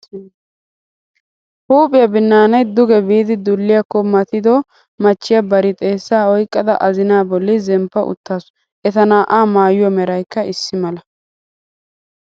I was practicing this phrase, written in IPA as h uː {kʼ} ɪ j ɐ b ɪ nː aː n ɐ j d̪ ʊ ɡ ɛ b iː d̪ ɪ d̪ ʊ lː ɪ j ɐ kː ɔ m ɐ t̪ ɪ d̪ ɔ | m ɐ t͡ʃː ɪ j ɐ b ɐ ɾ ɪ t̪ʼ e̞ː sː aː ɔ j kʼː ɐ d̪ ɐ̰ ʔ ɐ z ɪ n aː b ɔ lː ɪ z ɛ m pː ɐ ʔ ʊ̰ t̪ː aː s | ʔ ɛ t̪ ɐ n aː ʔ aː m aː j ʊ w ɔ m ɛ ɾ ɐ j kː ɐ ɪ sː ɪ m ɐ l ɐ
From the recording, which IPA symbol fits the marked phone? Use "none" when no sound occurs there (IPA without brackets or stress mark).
pʼ